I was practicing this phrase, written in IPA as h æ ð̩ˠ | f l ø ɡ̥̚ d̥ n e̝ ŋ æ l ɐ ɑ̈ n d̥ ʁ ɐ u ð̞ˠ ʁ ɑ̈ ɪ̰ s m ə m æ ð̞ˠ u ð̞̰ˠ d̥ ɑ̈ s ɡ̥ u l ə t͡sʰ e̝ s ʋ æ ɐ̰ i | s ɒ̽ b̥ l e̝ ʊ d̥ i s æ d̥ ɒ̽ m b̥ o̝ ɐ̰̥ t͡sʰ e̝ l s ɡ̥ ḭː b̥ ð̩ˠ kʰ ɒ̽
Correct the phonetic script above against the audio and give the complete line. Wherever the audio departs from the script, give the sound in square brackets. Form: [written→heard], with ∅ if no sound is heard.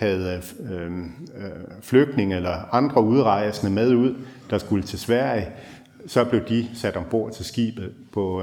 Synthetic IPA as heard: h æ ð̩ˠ | f l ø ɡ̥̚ d̥ n e̝ ŋ [æ→e] l ɐ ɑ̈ n d̥ ʁ ɐ u ð̞ˠ ʁ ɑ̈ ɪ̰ s [m→n] ə m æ ð̞ˠ u ð̞̰ˠ d̥ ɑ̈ s ɡ̥ u l ə t͡sʰ e̝ s ʋ æ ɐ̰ i | s ɒ̽ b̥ l e̝ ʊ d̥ i s æ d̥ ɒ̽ m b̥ o̝ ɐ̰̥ t͡sʰ e̝ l s ɡ̥ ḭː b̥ ð̩ˠ [kʰ→pʰ] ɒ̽